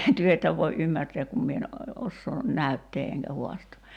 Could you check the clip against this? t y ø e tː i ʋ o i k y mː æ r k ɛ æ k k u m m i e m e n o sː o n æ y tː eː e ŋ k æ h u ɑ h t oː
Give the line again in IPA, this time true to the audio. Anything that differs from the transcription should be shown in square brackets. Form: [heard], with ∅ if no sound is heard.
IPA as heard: t y ø e tː [æ] ʋ o i [ʔ] y mː æ r [t] ɛ æ k k u m m i e [∅] e n o sː [oː] n æ y tː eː e ŋ k æ h u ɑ [s] t oː